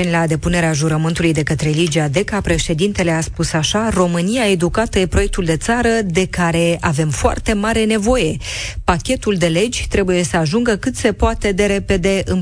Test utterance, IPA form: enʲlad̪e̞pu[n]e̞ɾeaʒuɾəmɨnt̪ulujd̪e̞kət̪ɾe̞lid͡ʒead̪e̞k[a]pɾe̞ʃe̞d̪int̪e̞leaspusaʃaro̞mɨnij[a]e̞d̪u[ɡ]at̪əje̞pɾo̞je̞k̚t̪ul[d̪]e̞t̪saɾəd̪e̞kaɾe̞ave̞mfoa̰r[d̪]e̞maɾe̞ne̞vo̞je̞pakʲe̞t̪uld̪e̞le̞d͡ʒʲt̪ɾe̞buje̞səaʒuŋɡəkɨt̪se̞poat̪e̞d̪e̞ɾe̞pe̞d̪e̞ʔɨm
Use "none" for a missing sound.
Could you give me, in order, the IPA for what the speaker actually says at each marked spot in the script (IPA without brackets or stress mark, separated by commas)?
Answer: n, a, a, k, d̪, t̪